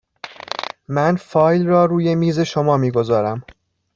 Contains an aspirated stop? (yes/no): no